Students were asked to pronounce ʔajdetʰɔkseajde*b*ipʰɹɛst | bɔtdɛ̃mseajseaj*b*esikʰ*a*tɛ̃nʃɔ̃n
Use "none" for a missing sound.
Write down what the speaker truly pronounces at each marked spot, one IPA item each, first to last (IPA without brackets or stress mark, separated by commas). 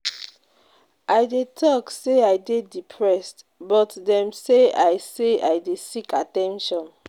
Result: d, d, a